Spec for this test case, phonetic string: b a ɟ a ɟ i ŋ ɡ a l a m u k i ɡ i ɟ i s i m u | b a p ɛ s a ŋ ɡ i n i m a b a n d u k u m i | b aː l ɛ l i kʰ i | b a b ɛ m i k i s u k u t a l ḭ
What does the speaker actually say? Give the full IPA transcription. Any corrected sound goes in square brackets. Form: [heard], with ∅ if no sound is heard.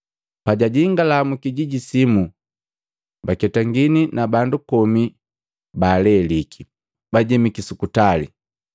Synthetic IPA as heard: [p] a ɟ a ɟ i ŋ ɡ a l a m u k i [ɟ] i ɟ i s i m u | b a [k] ɛ [t] a ŋ ɡ i n i [n] a b a n d u k [ɔ] m i | b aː l ɛ l i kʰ i | b a [ɟ] ɛ m i k i s u k u t a l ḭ